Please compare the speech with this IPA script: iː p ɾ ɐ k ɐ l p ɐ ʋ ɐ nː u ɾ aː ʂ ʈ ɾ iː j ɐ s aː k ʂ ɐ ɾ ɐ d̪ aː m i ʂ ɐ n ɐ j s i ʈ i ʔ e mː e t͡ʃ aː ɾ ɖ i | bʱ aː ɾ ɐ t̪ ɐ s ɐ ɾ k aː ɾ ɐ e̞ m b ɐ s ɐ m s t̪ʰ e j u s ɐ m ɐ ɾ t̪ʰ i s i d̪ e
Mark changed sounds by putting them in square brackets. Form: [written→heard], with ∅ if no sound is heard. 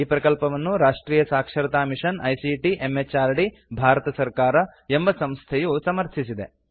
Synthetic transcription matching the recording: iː p ɾ ɐ k ɐ l p ɐ ʋ ɐ nː u ɾ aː ʂ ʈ ɾ iː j ɐ s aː k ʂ ɐ ɾ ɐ [d̪→t̪] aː m i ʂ ɐ n ɐ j s i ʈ i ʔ e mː e t͡ʃ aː ɾ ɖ i | bʱ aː ɾ ɐ t̪ ɐ s ɐ ɾ k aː ɾ ɐ e̞ m b ɐ s ɐ m s t̪ʰ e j u s ɐ m ɐ ɾ t̪ʰ i s i d̪ e

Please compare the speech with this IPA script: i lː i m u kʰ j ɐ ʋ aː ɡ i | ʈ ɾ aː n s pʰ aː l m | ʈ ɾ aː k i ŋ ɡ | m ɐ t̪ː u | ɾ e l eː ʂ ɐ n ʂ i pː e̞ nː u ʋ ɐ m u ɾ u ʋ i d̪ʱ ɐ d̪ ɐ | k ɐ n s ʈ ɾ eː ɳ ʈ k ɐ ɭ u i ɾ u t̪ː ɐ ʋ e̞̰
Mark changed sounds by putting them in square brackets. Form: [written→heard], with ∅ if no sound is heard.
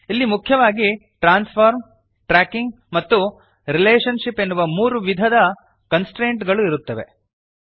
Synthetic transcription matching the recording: i lː i m u kʰ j ɐ ʋ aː ɡ i | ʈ ɾ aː n s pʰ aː [l→ɾ] m | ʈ ɾ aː k i ŋ ɡ | m ɐ t̪ː u | ɾ [e→i] l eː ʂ ɐ n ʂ i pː e̞ nː u ʋ ɐ m [u→uː] ɾ u ʋ i d̪ʱ ɐ d̪ ɐ | k ɐ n s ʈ ɾ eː ɳ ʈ [k→ɡ] ɐ ɭ u i ɾ u t̪ː ɐ ʋ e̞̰

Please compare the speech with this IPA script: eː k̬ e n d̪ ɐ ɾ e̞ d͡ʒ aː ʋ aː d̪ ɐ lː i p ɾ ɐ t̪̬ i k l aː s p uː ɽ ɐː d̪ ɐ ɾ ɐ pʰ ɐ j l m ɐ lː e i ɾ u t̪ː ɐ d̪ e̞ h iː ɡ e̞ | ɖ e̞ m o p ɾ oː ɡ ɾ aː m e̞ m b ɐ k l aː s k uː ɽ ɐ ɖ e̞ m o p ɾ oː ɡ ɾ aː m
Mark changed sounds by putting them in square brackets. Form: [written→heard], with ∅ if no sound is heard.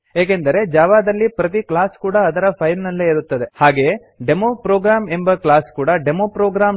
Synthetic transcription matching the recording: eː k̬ e n d̪ ɐ ɾ e̞ d͡ʒ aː ʋ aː d̪ ɐ lː i p ɾ ɐ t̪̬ i k l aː s [p→k] uː ɽ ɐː d̪ ɐ ɾ ɐ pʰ ɐ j l [m→n] ɐ lː e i ɾ u t̪ː ɐ d̪ e̞ h [iː→aː] ɡ e̞ | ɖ e̞ m o p ɾ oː ɡ ɾ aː m e̞ m b ɐ k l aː s k uː ɽ ɐ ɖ e̞ m o p ɾ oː ɡ ɾ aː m

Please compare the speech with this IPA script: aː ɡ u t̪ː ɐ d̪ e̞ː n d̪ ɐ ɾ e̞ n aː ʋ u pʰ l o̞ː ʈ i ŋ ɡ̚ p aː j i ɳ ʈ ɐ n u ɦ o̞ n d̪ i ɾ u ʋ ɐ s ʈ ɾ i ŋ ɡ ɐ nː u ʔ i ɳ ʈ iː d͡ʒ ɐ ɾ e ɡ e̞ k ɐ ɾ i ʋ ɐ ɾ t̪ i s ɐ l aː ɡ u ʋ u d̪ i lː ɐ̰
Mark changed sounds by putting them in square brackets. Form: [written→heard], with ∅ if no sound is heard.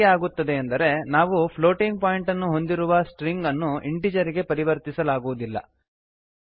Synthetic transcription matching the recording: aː ɡ u t̪ː ɐ d̪ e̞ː n d̪ ɐ ɾ e̞ n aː ʋ u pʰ l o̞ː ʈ i ŋ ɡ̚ p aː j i ɳ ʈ ɐ [n→nː] u ɦ o̞ n d̪ i ɾ u ʋ ɐ s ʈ ɾ i ŋ ɡ ɐ nː u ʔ i ɳ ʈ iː d͡ʒ ɐ ɾ [e→i] ɡ e̞ [k→p] ɐ ɾ i ʋ ɐ ɾ t̪ i s ɐ l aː ɡ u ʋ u d̪ i lː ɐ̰

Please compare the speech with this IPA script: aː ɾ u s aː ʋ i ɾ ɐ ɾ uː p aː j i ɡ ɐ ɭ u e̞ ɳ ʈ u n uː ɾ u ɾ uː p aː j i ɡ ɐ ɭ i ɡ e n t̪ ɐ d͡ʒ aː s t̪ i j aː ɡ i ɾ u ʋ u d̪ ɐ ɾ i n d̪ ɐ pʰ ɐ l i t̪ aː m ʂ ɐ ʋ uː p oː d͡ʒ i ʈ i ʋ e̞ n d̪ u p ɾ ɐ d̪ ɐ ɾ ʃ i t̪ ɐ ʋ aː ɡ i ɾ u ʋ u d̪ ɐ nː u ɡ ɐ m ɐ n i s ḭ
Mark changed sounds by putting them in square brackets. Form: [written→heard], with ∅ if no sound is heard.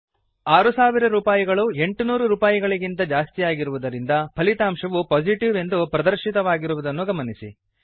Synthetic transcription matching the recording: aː ɾ u s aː ʋ i ɾ ɐ ɾ uː p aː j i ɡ ɐ ɭ u e̞ ɳ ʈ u n uː ɾ u ɾ uː p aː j i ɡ ɐ ɭ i ɡ [e→i] n t̪ ɐ d͡ʒ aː s t̪ i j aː ɡ i ɾ u ʋ u d̪ ɐ ɾ i n d̪ ɐ pʰ ɐ l i t̪ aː m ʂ ɐ ʋ [uː→u] p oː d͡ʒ i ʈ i ʋ e̞ n d̪ u p ɾ ɐ d̪ ɐ ɾ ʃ i t̪ ɐ ʋ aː ɡ i ɾ u ʋ u d̪ ɐ nː u ɡ ɐ m ɐ n i s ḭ

